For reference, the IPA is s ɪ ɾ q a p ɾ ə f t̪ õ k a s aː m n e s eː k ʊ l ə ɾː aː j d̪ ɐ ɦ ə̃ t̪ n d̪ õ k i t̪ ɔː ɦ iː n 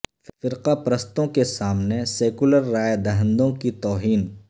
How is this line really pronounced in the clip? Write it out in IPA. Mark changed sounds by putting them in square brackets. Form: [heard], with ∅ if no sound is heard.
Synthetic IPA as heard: [f] ɪ ɾ q a p ɾ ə [s] t̪ õ k [e] s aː m n e s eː k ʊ l ə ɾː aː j d̪ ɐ ɦ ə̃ [∅] n d̪ õ k i t̪ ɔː ɦ iː n